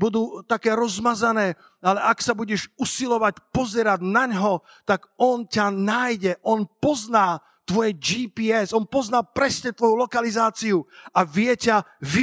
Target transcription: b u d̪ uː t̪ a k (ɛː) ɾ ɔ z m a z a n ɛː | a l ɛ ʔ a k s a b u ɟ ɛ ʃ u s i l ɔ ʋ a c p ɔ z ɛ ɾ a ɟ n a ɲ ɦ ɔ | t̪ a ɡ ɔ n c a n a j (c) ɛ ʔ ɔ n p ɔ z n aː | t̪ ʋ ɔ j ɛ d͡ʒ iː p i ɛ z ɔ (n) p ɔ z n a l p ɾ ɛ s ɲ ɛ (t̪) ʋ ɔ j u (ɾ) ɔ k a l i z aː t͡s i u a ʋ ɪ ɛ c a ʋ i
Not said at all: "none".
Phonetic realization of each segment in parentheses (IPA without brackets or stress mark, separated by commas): ɛː, ɟ, n, t̪, l